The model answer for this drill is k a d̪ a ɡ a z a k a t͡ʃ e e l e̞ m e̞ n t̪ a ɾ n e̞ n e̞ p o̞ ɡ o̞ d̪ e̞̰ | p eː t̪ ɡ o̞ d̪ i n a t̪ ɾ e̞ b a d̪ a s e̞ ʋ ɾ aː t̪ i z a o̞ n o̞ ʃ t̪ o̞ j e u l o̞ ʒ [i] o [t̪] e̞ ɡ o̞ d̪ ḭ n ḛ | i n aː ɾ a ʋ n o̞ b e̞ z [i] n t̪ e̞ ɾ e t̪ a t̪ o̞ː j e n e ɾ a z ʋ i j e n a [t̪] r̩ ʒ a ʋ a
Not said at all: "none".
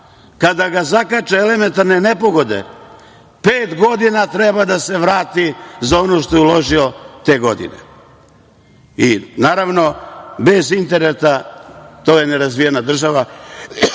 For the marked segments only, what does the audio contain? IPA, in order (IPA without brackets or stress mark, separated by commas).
i, t̪, i, d̪